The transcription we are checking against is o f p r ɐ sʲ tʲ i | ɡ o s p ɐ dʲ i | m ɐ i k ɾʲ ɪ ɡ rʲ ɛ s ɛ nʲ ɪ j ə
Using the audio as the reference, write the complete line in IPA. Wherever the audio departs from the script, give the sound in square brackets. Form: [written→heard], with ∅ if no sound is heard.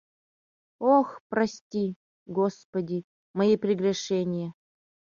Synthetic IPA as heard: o [f→x] p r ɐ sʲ tʲ i | ɡ o s p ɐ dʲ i | m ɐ i [k→p] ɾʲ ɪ ɡ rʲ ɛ [s→ʂ] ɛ nʲ ɪ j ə

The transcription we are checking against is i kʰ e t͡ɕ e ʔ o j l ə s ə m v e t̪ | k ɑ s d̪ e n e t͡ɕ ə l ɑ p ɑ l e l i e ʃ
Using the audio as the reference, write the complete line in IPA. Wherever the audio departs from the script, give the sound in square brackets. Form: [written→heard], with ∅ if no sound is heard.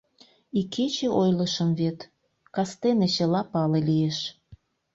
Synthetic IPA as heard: i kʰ e t͡ɕ e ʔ o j l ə [s→ʃ] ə m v e t̪ | k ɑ s [d̪→t̪] e n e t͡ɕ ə l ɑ p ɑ l e l i e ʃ

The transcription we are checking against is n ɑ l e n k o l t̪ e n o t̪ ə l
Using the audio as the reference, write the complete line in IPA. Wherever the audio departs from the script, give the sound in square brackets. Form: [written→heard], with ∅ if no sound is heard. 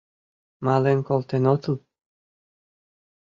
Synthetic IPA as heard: [n→m] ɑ l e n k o l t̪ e n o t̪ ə l

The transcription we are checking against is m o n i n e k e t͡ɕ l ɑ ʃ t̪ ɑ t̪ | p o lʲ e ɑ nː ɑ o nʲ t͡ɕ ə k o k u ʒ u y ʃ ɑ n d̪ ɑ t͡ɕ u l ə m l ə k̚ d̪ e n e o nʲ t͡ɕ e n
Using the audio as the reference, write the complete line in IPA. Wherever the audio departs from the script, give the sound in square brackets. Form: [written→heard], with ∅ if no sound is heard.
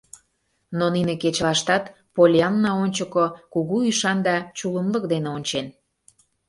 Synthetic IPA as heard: [m→n] o n i n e k e t͡ɕ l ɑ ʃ t̪ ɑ t̪ | p o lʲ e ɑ nː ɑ o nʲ t͡ɕ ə k o k u [ʒ→ɣ] u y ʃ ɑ n d̪ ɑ t͡ɕ u l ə m l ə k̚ d̪ e n e o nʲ t͡ɕ e n

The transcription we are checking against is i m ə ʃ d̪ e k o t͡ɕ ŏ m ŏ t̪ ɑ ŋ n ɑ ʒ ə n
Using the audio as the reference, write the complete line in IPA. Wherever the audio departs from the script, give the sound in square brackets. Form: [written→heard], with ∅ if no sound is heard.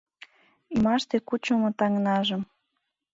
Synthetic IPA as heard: i m [ə→ɑ] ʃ [d̪→t̪] e k [o→u] t͡ɕ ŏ m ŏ t̪ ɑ ŋ n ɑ ʒ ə [n→m]

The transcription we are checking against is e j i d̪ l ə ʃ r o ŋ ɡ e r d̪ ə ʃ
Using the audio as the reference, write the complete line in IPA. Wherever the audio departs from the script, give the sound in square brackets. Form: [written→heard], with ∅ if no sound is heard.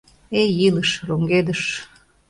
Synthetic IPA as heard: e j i [d̪→∅] l ə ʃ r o ŋ ɡ e [r→∅] d̪ ə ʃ

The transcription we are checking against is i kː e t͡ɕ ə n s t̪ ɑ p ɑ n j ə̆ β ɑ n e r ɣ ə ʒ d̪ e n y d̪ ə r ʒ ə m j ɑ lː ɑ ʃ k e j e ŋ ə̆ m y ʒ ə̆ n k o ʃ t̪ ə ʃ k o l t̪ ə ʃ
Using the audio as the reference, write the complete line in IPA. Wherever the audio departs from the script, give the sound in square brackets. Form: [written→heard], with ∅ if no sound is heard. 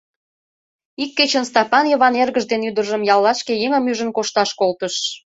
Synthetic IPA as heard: i kː e t͡ɕ ə n s t̪ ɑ p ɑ n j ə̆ β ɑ n e r ɣ ə ʒ d̪ e n y d̪ ə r ʒ ə m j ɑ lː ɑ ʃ k e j e ŋ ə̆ m y ʒ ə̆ n k o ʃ t̪ [ə→ɑ] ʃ k o l t̪ ə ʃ

